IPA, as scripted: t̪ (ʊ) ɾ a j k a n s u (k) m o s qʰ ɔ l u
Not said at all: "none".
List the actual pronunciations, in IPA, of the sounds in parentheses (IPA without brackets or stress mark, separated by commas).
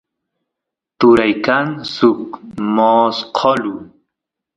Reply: u, k